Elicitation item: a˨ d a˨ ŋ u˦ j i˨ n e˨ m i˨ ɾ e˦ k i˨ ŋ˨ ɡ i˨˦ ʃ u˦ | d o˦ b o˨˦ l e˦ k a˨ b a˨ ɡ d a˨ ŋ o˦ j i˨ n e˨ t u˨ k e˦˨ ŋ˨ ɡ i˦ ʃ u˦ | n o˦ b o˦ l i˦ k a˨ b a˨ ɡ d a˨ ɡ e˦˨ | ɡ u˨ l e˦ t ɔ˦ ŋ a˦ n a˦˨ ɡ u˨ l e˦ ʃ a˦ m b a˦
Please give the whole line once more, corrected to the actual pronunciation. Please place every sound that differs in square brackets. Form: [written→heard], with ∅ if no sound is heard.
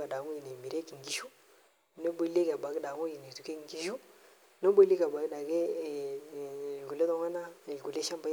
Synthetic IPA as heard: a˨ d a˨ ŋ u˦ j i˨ n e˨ m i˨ ɾ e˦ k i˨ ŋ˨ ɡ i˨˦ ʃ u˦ | [d→n] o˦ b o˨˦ l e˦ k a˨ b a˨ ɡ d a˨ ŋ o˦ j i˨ n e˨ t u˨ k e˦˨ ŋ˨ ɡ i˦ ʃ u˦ | n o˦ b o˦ l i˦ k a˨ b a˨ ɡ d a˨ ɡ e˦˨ | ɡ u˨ l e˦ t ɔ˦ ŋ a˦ n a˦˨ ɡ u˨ l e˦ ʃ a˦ m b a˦